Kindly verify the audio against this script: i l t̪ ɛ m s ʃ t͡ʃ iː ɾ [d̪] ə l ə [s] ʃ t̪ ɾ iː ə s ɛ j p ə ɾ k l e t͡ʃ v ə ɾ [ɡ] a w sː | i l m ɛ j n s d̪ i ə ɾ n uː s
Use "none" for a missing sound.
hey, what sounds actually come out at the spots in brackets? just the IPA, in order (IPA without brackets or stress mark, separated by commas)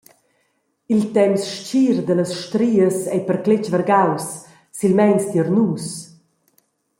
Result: d̪, s, ɡ